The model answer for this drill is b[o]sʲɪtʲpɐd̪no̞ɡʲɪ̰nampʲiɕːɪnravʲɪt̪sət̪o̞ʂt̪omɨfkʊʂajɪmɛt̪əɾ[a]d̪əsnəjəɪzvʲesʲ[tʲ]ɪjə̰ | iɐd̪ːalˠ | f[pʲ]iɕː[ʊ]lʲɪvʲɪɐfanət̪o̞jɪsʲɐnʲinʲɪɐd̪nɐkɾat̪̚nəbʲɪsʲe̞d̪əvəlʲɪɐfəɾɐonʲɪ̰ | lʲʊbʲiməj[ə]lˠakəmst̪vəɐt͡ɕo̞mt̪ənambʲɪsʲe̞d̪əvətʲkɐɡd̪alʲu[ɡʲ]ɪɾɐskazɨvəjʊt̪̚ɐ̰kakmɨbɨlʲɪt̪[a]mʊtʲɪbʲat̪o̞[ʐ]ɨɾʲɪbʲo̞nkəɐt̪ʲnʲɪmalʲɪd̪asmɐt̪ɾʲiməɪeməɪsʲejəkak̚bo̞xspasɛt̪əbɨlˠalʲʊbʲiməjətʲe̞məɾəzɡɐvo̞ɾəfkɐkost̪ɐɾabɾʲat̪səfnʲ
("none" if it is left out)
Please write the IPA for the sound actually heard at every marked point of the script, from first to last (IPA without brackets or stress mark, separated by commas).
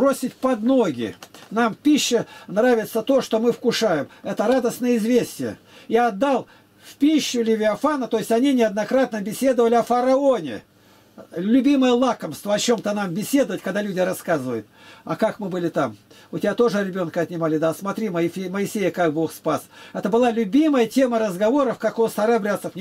o, a, tʲ, pʲ, ʊ, ə, dʲ, a, ʐ